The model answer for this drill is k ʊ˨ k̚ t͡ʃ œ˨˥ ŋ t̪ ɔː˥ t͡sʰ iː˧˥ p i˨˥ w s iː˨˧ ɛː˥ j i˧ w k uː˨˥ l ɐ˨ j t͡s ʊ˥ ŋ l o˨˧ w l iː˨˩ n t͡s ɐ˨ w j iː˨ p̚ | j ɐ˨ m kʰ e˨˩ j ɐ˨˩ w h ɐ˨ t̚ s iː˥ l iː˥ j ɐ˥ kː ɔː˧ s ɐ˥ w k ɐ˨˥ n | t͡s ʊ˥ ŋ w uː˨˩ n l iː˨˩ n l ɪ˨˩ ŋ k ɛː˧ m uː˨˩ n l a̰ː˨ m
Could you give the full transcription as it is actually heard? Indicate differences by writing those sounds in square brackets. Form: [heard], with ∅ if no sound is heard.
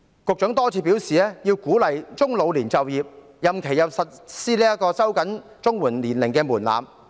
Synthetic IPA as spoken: k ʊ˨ k̚ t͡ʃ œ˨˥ ŋ t̪ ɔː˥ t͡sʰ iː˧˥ p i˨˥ w s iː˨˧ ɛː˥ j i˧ w k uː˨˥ l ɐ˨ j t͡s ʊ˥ ŋ l o˨˧ w l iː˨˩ n t͡s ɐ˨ w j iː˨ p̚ | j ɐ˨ m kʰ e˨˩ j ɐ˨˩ w [s] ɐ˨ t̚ s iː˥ l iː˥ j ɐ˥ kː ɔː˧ s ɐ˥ w k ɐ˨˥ n | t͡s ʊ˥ ŋ w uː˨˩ n l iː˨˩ n l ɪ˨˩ ŋ k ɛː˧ m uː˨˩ n l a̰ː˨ m

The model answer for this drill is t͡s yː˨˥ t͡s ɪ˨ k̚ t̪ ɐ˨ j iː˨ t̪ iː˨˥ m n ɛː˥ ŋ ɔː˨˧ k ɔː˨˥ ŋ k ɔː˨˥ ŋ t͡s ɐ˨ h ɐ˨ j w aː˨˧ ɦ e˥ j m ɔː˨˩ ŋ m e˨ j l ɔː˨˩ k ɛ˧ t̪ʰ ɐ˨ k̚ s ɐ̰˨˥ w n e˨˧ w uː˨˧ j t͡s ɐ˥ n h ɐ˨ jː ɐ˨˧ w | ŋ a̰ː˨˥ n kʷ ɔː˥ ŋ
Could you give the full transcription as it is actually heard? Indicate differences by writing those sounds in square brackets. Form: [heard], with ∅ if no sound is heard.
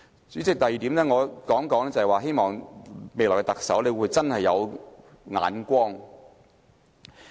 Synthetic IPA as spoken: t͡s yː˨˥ t͡s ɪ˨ k̚ t̪ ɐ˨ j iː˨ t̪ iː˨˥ m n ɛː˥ ŋ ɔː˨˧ k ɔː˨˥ ŋ k ɔː˨˥ ŋ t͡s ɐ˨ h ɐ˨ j w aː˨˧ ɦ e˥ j m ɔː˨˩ ŋ m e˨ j l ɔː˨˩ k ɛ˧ [t̪] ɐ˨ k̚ s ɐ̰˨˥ w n e˨˧ w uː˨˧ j t͡s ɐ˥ n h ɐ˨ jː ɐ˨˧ w | ŋ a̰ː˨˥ n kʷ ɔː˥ ŋ

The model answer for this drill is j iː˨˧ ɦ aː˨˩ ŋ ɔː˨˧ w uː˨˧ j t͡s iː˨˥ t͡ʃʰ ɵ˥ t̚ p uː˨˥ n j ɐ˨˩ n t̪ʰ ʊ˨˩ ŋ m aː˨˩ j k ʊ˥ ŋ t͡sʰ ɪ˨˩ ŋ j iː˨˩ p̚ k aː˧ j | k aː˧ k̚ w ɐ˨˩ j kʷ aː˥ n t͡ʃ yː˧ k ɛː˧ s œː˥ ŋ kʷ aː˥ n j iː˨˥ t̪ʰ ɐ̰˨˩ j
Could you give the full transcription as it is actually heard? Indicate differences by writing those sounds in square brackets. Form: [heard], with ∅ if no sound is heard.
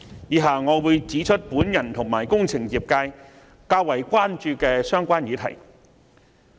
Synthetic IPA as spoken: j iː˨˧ ɦ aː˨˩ ŋ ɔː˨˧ w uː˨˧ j t͡s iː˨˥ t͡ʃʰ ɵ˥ t̚ p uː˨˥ n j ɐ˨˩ n t̪ʰ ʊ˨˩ ŋ m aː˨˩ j k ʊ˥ ŋ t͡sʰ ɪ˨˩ ŋ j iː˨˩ p̚ k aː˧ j | k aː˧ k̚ w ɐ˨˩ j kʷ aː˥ n t͡ʃ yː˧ k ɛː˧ s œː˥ ŋ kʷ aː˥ n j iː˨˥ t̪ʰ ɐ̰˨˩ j

